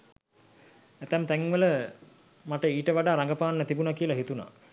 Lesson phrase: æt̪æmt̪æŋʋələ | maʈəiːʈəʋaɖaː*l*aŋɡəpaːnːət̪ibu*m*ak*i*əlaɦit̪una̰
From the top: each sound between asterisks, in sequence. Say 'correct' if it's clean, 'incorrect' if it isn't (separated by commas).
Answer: incorrect, incorrect, correct